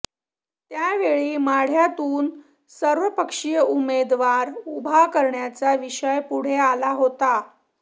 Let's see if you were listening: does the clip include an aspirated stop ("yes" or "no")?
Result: no